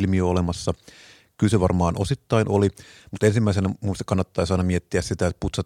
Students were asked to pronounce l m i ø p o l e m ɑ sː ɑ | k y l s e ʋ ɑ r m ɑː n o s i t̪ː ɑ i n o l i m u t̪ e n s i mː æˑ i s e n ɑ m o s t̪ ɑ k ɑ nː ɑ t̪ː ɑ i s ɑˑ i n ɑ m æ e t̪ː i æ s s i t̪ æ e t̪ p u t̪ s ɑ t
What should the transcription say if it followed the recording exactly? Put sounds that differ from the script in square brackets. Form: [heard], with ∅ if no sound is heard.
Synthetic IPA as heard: l m i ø [∅] o l e m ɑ sː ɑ | k y l s e ʋ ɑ r m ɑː n o s i t̪ː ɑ i n o l i m u t̪ e n s i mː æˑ i s e n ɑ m [u] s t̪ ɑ k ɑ nː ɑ t̪ː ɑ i s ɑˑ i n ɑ m [i] e t̪ː i æ s s i t̪ æ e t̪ p u t̪ s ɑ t